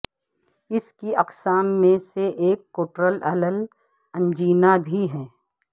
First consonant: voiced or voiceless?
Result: voiceless